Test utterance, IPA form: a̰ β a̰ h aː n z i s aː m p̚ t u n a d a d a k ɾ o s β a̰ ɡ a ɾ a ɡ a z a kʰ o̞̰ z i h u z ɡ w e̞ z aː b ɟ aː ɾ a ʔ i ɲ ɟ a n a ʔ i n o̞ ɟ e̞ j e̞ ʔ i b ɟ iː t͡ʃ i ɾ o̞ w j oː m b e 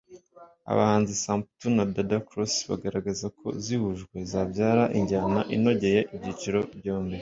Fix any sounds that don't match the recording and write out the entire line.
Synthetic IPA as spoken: a̰ β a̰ h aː n z i s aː m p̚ t u n a d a d a k ɾ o s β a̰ ɡ a ɾ a ɡ a z a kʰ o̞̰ z i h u ʒ ɡ w e̞ z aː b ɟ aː ɾ a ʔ i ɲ ɟ a n a ʔ i n o̞ ɟ e̞ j e̞ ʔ i b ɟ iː t͡ʃ i ɾ o̞ b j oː m b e